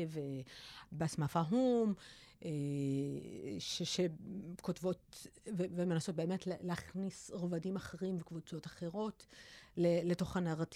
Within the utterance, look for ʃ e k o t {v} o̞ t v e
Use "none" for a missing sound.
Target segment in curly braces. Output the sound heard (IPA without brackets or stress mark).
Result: v